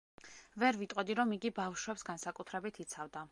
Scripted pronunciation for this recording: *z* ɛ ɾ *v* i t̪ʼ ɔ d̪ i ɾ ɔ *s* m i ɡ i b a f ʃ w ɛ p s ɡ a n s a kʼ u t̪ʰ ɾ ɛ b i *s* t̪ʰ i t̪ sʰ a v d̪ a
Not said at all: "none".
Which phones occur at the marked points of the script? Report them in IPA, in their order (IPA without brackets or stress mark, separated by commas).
v, v, none, none